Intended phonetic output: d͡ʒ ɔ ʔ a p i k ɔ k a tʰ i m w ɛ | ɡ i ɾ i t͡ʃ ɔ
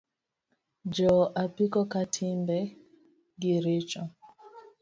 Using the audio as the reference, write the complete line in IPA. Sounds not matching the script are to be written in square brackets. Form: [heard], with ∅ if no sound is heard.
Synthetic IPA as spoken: d͡ʒ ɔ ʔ a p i k ɔ k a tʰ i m [b] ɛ | ɡ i ɾ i t͡ʃ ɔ